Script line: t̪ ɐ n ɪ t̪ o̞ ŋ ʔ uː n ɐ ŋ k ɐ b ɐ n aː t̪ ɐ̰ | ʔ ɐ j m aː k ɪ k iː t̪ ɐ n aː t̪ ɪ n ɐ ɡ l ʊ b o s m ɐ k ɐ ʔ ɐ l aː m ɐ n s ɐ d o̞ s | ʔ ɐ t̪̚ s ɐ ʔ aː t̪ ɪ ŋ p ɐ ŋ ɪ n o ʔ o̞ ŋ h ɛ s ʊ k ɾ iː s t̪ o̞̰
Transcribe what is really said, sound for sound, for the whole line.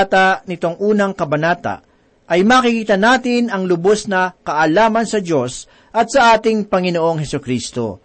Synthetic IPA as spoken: t̪ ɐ n ɪ t̪ o̞ ŋ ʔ uː n ɐ ŋ k ɐ b ɐ n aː t̪ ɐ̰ | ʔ ɐ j m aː k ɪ k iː t̪ ɐ n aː t̪ ɪ n ɐ ŋ l ʊ b o s n ɐ k ɐ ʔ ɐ l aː m ɐ n s ɐ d o̞ s | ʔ ɐ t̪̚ s ɐ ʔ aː t̪ ɪ ŋ p ɐ ŋ ɪ n o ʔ o̞ ŋ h ɛ s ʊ k ɾ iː s t̪ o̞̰